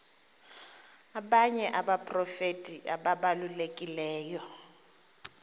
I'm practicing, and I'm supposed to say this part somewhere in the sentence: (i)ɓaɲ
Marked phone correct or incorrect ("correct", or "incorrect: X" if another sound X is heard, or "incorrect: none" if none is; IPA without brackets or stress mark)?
incorrect: a